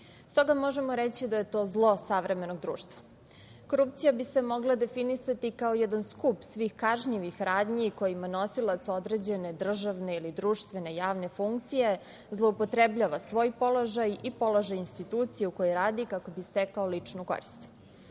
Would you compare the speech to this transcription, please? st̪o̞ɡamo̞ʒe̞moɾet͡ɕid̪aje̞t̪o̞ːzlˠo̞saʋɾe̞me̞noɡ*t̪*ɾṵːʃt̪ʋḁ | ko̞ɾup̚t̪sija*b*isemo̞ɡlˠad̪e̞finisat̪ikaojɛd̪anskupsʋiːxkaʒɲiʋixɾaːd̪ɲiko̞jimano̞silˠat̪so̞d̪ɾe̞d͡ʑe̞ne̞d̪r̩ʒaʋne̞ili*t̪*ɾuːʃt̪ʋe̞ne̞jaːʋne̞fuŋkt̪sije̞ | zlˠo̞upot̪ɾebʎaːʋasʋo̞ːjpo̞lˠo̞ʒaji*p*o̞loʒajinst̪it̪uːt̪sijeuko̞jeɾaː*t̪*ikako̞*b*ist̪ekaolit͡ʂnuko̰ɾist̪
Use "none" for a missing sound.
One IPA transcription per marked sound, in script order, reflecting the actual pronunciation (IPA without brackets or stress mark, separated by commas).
d̪, b, d̪, p, d̪, b